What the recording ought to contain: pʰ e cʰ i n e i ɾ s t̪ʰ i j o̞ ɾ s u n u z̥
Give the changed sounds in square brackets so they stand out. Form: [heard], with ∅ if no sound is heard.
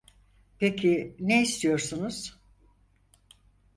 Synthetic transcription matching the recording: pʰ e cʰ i n e i [∅] s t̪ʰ i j o̞ ɾ s u n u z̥